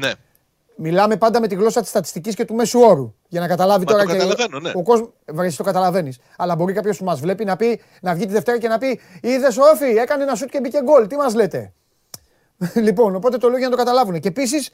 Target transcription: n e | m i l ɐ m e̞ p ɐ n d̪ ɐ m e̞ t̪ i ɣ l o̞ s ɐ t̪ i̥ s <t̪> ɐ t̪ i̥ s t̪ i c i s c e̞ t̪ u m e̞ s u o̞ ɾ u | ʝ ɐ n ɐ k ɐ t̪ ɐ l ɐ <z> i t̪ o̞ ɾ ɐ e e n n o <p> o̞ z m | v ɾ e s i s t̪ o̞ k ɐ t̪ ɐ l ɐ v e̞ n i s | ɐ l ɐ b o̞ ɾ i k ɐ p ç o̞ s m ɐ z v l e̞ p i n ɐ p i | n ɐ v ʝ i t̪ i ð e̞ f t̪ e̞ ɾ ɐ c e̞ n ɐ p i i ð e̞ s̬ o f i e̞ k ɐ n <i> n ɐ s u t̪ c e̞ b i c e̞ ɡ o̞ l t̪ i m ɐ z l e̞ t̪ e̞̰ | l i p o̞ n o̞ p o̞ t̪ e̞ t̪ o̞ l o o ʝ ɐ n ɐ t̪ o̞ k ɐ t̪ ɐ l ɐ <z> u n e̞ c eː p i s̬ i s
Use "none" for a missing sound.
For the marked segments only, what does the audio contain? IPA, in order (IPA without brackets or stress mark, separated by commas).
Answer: t̪, v, k, e, v